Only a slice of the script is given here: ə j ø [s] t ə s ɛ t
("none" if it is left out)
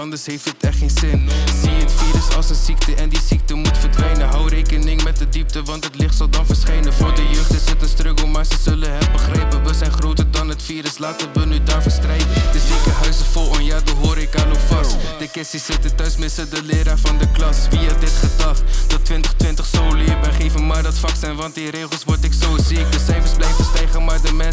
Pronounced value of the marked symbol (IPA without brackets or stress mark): χ